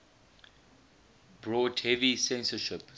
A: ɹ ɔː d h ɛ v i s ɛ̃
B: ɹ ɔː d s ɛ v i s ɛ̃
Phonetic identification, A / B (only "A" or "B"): A